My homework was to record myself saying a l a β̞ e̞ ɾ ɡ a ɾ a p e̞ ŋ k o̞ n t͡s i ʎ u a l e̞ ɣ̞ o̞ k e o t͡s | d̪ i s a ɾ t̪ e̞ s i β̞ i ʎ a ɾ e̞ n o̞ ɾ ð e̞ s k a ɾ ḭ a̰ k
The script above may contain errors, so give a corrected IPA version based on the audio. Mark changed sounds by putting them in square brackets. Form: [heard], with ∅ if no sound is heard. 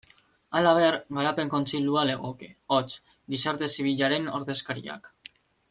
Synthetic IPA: a l a β̞ e̞ ɾ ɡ a ɾ a p e̞ ŋ k o̞ n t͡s i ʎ u a l e̞ ɣ̞ o̞ k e o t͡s | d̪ i s a ɾ t̪ e̞ s i β̞ i ʎ a ɾ e̞ n o̞ ɾ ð e̞ s k a ɾ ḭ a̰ k

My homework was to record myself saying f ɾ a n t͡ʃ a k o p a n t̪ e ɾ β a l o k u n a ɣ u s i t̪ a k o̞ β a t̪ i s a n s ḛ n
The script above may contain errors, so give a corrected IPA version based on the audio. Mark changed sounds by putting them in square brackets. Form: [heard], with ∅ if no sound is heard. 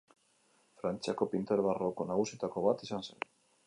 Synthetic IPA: f ɾ a n t͡ʃ a k o p [i] n t̪ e ɾ β a [r] o k [o] n a ɣ u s i t̪ a k o̞ β a t̪ i s a n s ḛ n

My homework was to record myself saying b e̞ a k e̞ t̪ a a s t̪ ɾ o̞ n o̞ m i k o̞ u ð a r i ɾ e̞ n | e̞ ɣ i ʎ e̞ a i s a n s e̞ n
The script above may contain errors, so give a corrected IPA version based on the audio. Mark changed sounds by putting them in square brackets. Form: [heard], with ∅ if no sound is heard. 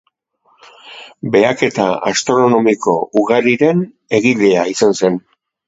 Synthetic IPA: b e̞ a k e̞ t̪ a a s t̪ ɾ o̞ n o̞ m i k o̞ u [ɣ] a [ɾ] i ɾ e̞ n | e̞ ɣ i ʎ e̞ a i s a n s e̞ n

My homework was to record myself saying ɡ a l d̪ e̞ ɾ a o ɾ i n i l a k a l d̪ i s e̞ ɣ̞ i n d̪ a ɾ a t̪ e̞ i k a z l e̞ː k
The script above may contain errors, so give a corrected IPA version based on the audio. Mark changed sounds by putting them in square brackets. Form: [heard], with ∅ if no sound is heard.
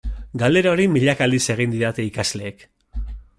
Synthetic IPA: ɡ a l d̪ e̞ ɾ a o ɾ i [m] i [ʎ] a k a l d̪ i s e̞ ɣ̞ i n d̪ [i] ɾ a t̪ e̞ i k a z l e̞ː k

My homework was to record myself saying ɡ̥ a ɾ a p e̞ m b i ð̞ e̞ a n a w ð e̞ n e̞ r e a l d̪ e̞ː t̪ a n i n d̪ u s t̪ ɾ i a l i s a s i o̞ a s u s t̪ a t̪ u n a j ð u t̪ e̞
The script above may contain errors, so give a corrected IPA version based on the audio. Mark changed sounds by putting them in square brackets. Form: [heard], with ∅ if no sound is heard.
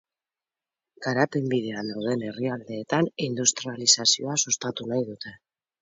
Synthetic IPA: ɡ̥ a ɾ a p e̞ m b i ð̞ e̞ a n a w ð e̞ n e̞ r [i] a l d̪ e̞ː t̪ a n i n d̪ u s t̪ ɾ i a l i s a s i o̞ a s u s t̪ a t̪ u n a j ð u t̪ e̞

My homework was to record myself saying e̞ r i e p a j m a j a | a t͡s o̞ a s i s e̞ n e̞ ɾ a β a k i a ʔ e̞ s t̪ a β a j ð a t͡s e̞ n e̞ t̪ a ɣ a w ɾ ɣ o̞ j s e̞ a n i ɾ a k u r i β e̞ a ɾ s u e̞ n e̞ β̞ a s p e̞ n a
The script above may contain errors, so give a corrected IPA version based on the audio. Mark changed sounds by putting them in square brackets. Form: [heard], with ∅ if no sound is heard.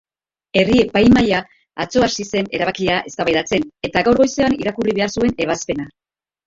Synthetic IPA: e̞ r i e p a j m a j a | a t͡s o̞ a s i s e̞ n e̞ ɾ a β a k i a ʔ e̞ s t̪ a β a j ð a t͡s e̞ n e̞ t̪ a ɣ a w ɾ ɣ o̞ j s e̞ a n i ɾ a k u r i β e̞ a ɾ s u e̞ n e̞ β̞ a s p e̞ n a

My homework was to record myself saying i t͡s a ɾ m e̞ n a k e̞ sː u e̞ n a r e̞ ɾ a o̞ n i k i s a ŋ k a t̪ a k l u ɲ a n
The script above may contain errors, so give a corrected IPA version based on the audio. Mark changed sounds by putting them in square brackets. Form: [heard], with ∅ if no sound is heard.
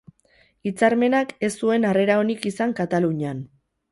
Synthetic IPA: i t͡s a ɾ m e̞ n a k e̞ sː u e̞ n a r e̞ ɾ a o̞ n i k i s a ŋ k a t̪ a [∅] l u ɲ a n

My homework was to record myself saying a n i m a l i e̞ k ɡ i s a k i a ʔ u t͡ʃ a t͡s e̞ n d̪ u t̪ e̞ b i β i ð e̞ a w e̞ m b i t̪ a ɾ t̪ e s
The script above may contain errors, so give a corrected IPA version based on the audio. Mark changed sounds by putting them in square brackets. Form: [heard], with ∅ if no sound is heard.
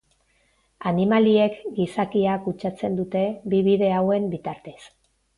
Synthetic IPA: a n i m a l i e̞ k ɡ i s a k i a [k] u t͡ʃ a t͡s e̞ n d̪ u t̪ e̞ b i β i ð e̞ a w e̞ m b i t̪ a ɾ t̪ e s

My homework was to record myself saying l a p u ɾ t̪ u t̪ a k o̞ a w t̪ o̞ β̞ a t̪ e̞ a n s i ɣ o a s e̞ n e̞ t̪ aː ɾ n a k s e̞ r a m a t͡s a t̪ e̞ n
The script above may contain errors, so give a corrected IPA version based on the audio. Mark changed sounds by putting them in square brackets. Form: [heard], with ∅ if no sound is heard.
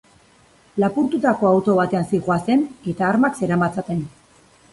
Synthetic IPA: l a p u ɾ t̪ u t̪ a k o̞ a w t̪ o̞ β̞ a t̪ e̞ a n s i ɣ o a s e̞ n e̞ t̪ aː ɾ [m] a k s e̞ [ɾ] a m a t͡s a t̪ e̞ n

